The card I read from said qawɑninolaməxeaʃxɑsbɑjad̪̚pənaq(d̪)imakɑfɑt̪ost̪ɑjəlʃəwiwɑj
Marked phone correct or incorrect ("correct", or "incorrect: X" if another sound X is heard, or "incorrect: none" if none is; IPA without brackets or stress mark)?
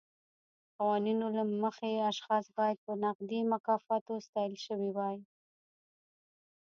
correct